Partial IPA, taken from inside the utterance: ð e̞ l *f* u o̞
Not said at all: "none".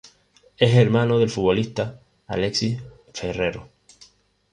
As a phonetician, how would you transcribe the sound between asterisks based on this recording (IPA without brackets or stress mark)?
f